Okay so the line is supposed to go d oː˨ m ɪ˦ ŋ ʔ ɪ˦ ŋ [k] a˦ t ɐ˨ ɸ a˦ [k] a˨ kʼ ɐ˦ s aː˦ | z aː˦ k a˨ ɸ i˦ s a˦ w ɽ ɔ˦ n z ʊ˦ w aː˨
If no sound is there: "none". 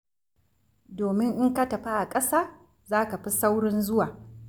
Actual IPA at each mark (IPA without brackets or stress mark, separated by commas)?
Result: k, ʔ